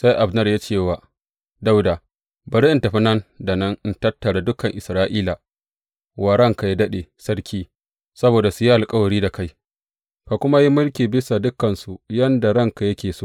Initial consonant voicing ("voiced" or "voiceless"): voiceless